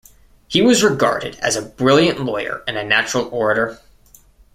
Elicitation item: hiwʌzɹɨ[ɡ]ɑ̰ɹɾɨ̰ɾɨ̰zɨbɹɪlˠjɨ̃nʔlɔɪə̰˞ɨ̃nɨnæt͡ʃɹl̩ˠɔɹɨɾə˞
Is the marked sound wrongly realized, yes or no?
no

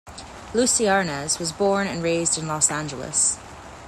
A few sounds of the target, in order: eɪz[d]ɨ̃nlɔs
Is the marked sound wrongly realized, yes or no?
no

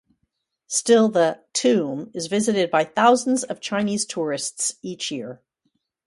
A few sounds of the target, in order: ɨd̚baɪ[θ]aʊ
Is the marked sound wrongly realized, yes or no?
no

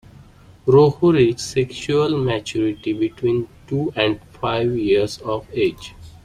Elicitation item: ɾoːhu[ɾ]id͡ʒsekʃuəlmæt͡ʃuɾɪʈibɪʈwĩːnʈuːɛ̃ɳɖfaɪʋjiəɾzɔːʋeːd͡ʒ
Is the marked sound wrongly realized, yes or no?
no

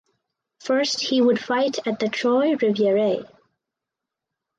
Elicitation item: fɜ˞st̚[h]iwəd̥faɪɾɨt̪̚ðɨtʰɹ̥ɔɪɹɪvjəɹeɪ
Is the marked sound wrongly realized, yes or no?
no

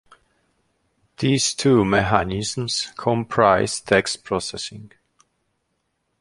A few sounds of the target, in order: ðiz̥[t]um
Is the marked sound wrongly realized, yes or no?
yes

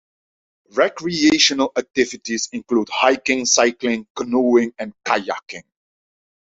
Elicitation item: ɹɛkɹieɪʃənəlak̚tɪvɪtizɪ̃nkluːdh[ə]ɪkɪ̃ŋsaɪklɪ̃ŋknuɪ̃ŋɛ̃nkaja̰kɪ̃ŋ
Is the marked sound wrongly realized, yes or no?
yes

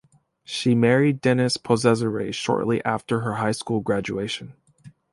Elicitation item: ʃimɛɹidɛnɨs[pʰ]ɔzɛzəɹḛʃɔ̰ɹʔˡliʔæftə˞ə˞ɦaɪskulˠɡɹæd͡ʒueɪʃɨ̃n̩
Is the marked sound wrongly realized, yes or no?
no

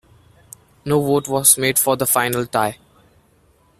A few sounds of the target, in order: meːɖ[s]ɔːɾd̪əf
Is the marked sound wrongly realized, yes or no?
yes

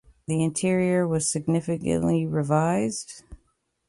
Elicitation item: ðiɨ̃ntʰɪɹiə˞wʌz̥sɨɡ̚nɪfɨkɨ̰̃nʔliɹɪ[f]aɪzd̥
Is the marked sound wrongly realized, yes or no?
yes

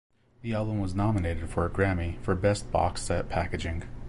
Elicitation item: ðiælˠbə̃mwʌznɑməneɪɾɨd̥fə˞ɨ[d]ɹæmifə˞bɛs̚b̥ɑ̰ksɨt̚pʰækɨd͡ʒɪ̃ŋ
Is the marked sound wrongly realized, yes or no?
yes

